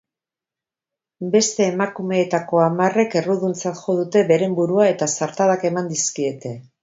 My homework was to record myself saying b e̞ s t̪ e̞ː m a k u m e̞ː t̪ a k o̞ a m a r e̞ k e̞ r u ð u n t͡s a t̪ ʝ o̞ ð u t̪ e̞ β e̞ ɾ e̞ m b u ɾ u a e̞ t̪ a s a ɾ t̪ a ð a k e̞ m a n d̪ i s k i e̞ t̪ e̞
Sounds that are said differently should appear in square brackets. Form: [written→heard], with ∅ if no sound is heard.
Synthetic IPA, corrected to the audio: b e̞ s t̪ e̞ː m a k u m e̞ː t̪ a k o̞ a m a r e̞ k e̞ r u ð u n t͡s a t̪ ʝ o̞ ð u t̪ e̞ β e̞ ɾ e̞ m b u ɾ u a e̞ t̪ a s a ɾ t̪ a ð a k e̞ m a n d̪ i s k i e̞ t̪ e̞

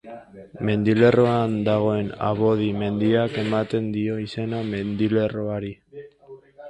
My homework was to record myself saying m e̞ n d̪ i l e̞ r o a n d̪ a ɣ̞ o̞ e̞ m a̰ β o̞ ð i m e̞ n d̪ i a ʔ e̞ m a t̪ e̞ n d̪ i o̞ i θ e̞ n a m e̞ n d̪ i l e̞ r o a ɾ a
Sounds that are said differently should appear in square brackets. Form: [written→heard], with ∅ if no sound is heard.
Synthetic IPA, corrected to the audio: m e̞ n d̪ i l e̞ r o a n d̪ a ɣ̞ o̞ e̞ [m→n] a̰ β o̞ ð i m e̞ n d̪ i a [ʔ→k] e̞ m a t̪ e̞ n d̪ i o̞ i [θ→s] e̞ n a m e̞ n d̪ i l e̞ r o a ɾ [a→i]

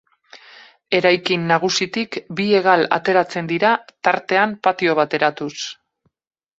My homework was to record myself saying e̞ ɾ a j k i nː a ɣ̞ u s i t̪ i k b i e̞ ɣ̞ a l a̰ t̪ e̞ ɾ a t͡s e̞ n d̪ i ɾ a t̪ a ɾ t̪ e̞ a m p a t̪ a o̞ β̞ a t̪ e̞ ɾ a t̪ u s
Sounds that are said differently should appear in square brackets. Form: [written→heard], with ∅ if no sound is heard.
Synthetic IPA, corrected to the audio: e̞ ɾ a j k i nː a ɣ̞ u s i t̪ i k b i e̞ ɣ̞ a l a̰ t̪ e̞ ɾ a t͡s e̞ n d̪ i ɾ a t̪ a ɾ t̪ e̞ a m p a t̪ [a→i] o̞ β̞ a t̪ e̞ ɾ a t̪ u s

